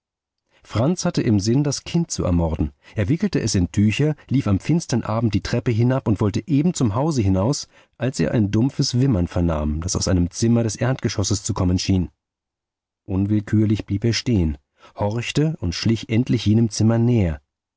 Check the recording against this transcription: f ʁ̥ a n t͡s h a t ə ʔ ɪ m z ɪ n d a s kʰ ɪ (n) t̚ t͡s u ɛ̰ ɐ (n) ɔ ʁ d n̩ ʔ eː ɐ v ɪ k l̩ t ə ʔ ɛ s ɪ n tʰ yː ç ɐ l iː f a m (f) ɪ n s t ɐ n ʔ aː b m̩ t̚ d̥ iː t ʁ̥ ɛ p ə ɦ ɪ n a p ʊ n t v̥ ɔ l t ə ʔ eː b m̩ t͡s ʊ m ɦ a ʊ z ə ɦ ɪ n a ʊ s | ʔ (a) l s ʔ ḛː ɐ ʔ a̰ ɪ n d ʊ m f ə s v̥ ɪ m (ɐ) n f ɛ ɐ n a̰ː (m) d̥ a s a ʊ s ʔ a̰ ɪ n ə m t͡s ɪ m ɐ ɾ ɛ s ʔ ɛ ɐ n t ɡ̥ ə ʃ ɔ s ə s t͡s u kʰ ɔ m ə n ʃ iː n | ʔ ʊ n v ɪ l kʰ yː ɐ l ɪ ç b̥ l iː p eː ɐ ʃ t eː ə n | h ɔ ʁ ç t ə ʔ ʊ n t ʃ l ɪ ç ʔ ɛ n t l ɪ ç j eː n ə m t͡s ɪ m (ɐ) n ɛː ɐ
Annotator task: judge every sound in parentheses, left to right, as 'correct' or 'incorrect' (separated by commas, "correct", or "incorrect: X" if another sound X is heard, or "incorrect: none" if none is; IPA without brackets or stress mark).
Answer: correct, incorrect: m, correct, correct, correct, correct, correct